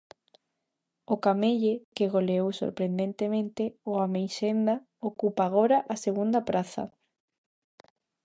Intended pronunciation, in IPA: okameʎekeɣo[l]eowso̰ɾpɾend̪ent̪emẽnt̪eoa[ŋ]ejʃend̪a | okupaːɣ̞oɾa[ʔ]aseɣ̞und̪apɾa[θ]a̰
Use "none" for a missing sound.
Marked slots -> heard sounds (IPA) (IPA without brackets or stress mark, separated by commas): l, m, ʔ, θ